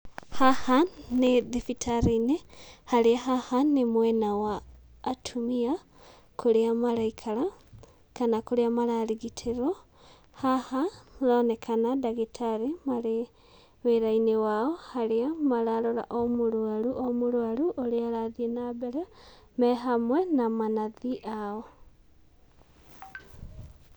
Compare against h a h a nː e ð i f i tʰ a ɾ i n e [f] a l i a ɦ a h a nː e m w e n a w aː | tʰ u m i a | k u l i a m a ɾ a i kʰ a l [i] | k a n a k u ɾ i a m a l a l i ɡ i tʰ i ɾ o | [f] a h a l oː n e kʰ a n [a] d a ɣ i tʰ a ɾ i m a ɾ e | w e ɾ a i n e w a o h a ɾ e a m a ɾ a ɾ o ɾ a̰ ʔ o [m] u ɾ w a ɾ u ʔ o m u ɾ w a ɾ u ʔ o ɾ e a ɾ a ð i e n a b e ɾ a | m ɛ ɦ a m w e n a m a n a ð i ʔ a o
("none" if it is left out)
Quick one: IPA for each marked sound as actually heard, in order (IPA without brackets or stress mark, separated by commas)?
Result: h, a, h, a, m